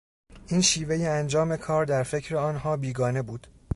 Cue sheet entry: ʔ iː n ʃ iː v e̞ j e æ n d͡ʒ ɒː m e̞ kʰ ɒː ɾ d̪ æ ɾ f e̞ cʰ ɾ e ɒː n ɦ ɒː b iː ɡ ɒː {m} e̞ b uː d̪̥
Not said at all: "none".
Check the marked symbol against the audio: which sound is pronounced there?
n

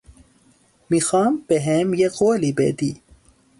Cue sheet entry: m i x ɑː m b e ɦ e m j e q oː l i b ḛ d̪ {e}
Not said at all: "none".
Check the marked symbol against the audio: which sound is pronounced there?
i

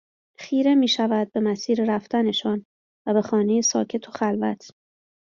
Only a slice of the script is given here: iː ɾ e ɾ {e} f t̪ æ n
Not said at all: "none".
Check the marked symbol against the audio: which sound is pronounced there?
æ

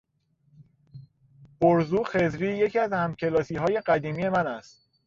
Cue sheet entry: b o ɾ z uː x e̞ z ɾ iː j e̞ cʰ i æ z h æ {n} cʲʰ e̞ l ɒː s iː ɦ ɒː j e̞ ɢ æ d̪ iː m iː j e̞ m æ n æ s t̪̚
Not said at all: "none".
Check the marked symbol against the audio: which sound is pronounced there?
m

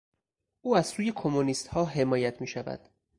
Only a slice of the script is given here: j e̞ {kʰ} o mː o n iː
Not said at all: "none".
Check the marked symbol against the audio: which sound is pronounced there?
kʰ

